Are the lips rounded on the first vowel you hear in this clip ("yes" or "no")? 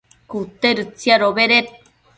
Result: yes